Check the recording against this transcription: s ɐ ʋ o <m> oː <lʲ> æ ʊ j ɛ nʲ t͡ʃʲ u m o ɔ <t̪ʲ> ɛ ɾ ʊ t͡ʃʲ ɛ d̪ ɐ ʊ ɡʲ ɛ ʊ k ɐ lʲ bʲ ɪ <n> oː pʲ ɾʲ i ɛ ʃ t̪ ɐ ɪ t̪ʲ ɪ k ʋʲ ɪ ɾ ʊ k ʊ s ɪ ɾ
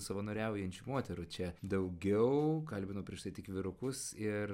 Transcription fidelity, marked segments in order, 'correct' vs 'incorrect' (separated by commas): incorrect, incorrect, correct, correct